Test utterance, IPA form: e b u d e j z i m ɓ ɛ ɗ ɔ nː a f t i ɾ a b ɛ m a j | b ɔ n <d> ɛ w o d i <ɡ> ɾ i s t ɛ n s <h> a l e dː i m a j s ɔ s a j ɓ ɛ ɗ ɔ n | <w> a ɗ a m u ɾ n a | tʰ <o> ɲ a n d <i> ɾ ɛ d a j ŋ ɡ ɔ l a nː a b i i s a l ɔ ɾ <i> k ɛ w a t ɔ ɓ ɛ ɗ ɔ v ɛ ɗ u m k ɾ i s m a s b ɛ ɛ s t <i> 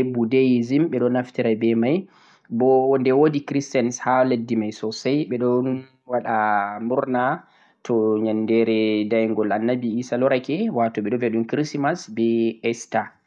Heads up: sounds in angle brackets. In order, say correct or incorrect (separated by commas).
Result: correct, incorrect, correct, correct, incorrect, incorrect, incorrect, incorrect